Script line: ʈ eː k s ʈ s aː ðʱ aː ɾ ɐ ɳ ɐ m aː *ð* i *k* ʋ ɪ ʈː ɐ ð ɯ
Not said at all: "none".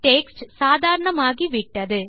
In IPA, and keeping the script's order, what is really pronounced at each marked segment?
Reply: ɣ, none

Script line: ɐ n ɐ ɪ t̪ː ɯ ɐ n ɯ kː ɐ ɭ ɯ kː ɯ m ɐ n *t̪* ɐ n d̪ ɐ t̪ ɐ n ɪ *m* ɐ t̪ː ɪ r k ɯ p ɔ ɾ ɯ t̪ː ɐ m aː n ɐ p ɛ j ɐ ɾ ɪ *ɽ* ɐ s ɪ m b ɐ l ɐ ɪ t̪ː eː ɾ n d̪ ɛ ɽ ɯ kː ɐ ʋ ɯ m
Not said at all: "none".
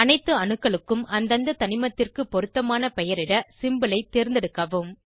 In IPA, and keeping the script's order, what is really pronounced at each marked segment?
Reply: d̪, m, ɽ

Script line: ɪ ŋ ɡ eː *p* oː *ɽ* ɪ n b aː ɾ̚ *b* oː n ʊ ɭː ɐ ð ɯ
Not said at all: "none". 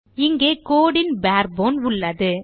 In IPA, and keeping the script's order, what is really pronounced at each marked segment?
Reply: k, ɽ, b

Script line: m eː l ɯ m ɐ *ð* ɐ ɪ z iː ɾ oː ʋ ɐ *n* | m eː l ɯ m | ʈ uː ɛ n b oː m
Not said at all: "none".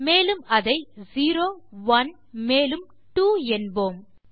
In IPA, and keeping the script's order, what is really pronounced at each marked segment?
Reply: ð, n

